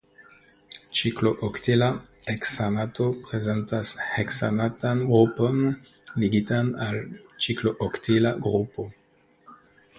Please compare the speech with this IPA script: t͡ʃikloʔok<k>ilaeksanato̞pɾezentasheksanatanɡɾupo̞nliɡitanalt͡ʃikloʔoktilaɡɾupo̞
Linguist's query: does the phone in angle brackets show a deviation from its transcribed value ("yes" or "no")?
yes